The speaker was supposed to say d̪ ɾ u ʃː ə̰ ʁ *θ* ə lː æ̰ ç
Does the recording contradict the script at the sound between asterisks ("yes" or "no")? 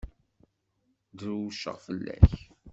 yes